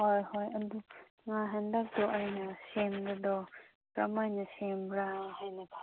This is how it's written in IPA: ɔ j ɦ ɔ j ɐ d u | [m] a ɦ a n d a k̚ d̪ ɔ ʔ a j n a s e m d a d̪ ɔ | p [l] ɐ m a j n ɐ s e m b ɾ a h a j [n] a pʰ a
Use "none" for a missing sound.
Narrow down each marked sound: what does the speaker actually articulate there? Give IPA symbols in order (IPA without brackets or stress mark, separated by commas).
ŋ, ɾ, n